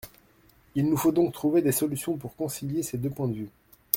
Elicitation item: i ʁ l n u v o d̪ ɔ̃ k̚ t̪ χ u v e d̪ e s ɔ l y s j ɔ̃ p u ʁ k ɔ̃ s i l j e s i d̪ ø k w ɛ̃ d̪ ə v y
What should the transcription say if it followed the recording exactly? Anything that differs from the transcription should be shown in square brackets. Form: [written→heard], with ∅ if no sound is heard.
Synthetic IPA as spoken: i [ʁ→∅] l n u [v→f] o d̪ ɔ̃ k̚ t̪ χ u v e d̪ e s ɔ l y s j ɔ̃ p u ʁ k ɔ̃ s i l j e s [i→e] d̪ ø [k→p] w ɛ̃ d̪ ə v y